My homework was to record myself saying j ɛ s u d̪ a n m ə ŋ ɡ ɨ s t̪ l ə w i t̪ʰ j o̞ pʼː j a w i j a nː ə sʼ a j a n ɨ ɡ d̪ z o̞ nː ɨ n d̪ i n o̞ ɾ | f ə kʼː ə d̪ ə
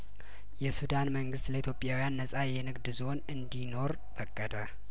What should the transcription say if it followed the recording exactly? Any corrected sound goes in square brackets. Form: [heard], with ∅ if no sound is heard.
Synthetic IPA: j ɛ s u d̪ a n m ə ŋ ɡ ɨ s t̪ l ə [∅] i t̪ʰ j o̞ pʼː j a w i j a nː ə sʼ a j [ɛ] n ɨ ɡ d̪ z o̞ [n] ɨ n d̪ i n o̞ ɾ | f ə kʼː ə d̪ ə